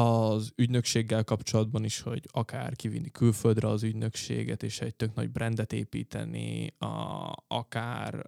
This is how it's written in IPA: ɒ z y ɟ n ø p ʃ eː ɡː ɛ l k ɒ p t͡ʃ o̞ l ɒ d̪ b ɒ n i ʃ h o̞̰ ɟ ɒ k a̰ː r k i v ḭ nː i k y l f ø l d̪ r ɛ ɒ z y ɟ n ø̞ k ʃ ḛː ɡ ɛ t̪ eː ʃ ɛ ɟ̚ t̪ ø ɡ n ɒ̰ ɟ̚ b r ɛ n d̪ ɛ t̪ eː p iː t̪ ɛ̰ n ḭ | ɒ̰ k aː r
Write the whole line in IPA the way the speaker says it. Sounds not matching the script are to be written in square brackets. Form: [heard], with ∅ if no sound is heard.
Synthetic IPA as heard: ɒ z y ɟ n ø [k] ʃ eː ɡː ɛ l k ɒ p t͡ʃ o̞ l ɒ d̪ b ɒ n i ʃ h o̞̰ ɟ ɒ k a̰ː r k i v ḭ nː i k y l f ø l d̪ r ɛ ɒ z y ɟ n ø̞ k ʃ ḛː ɡ ɛ t̪ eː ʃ ɛ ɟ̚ t̪ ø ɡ n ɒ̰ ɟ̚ b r ɛ n d̪ ɛ t̪ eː p iː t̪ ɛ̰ n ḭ | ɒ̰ k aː r